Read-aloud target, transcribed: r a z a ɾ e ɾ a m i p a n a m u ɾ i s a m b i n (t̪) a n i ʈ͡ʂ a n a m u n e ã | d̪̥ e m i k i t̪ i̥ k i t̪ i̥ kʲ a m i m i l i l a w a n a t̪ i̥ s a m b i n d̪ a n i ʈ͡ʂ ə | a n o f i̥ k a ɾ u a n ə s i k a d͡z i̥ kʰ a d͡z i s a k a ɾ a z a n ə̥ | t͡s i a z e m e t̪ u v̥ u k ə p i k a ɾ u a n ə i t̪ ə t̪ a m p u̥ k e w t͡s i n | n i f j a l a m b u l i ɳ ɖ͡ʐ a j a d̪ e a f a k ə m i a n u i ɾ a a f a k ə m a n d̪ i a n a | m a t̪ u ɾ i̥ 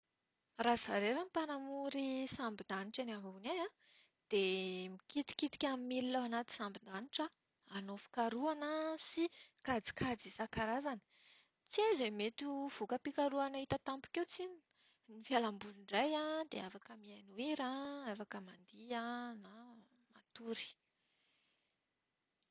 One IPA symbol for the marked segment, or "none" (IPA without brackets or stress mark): d̪